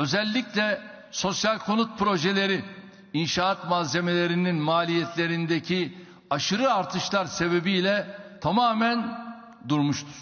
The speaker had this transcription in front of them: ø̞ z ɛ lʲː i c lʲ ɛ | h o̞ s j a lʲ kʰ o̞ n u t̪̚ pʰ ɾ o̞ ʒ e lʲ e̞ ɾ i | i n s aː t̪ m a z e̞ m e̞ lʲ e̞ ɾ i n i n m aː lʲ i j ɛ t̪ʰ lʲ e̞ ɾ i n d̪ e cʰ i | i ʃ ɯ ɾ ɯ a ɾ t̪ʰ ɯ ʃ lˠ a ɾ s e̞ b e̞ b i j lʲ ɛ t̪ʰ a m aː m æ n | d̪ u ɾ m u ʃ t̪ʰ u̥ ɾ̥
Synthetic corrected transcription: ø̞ z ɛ lʲː i c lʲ ɛ | s o̞ s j a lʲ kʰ o̞ n u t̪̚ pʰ ɾ o̞ ʒ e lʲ e̞ ɾ i | i n ʃ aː t̪ m a z e̞ m e̞ lʲ e̞ ɾ i n i n m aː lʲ i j ɛ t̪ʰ lʲ e̞ ɾ i n d̪ e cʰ i | a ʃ ɯ ɾ ɯ a ɾ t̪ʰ ɯ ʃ lˠ a ɾ s e̞ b e̞ b i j lʲ ɛ t̪ʰ a m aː m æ n | d̪ u ɾ m u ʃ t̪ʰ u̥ ɾ̥